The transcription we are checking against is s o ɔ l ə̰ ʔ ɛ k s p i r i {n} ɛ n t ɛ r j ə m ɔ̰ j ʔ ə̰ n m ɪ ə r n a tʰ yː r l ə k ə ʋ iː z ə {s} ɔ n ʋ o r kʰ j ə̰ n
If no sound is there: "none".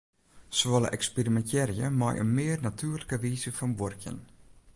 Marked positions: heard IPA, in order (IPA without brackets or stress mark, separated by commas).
m, f